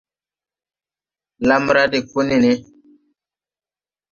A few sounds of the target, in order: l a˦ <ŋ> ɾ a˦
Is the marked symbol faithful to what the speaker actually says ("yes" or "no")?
no